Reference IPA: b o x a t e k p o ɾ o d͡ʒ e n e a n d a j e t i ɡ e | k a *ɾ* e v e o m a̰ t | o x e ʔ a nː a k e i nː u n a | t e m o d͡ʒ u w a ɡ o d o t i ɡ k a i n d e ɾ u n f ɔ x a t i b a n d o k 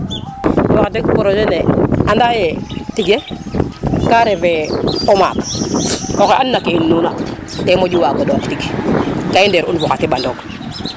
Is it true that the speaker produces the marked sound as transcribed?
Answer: yes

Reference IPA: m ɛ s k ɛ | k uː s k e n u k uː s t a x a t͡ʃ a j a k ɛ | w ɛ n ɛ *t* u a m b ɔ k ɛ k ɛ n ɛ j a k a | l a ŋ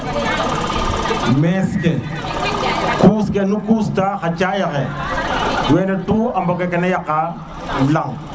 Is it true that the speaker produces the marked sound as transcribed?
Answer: yes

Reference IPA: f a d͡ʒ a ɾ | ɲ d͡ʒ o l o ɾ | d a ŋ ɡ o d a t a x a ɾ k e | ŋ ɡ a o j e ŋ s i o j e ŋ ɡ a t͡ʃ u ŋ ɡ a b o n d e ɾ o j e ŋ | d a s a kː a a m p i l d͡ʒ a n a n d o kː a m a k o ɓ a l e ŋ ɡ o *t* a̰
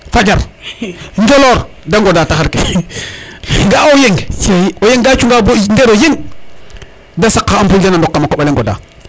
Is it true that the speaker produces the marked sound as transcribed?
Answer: no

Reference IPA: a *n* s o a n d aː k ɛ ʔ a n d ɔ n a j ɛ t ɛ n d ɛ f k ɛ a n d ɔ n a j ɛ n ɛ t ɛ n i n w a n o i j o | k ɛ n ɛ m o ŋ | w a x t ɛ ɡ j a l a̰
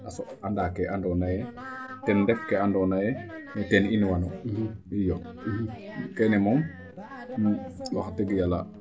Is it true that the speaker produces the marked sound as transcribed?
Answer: no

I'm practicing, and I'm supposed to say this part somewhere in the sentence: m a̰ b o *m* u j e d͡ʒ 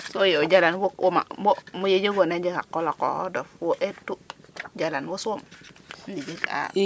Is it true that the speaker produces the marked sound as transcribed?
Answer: yes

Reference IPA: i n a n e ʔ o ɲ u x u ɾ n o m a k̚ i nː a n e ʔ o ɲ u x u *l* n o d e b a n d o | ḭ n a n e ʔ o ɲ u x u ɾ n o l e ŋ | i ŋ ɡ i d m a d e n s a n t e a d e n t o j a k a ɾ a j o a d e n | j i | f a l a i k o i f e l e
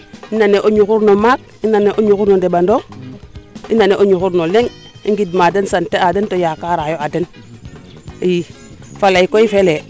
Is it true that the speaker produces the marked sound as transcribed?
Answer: no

